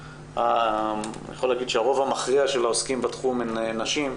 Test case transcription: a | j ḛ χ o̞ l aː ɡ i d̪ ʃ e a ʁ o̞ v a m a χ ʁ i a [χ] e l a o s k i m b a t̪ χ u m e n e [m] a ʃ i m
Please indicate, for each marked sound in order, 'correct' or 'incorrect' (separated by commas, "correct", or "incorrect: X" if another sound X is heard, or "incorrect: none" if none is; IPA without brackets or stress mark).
incorrect: ʃ, incorrect: n